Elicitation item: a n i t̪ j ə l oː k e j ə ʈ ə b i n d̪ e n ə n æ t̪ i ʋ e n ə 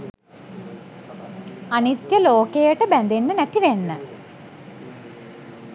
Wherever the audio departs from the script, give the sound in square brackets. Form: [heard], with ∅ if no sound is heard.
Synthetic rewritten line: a n i t̪ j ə l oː k e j ə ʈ ə b [æ] n d̪ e [nː] ə n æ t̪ i ʋ e [nː] ə